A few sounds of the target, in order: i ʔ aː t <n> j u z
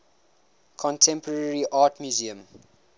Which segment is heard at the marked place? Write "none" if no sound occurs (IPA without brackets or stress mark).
m